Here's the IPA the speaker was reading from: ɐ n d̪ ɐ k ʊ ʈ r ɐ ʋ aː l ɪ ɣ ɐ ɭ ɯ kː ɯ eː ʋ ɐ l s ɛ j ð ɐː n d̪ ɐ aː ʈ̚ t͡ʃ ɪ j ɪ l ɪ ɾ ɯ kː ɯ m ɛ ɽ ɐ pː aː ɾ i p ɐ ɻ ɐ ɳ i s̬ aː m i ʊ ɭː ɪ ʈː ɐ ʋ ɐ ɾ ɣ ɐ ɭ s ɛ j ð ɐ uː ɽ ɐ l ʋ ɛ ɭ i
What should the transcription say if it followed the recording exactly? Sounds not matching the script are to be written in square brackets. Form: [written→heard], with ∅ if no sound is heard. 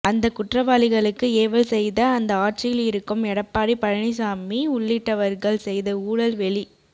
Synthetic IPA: ɐ n d̪ ɐ k ʊ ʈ r ɐ ʋ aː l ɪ ɣ ɐ ɭ ɯ kː ɯ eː ʋ ɐ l s ɛ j ð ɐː n d̪ ɐ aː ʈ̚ t͡ʃ ɪ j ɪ l ɪ ɾ ɯ kː ɯ m ɛ ɽ ɐ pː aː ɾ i p ɐ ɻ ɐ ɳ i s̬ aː m i ʊ ɭː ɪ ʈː ɐ ʋ ɐ ɾ ɣ ɐ ɭ s ɛ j ð ɐ uː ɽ ɐ l ʋ ɛ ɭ i